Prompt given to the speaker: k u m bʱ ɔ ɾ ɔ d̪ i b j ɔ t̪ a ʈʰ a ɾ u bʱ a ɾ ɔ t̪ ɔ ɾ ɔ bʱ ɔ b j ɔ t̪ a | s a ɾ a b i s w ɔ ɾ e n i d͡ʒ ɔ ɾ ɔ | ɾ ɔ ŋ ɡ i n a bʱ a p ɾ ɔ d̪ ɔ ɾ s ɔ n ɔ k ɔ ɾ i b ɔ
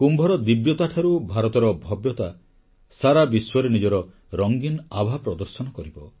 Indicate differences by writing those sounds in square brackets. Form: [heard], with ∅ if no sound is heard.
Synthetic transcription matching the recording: k u m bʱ ɔ ɾ ɔ d̪ i b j ɔ t̪ a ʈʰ a ɾ u bʱ a ɾ ɔ t̪ ɔ ɾ ɔ bʱ ɔ b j ɔ t̪ a | s a ɾ a b i s w ɔ ɾ e n i d͡ʒ ɔ ɾ ɔ | ɾ ɔ ŋ ɡ i n a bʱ a p ɾ ɔ d̪ ɔ ɾ s ɔ n ɔ k ɔ ɾ i b ɔ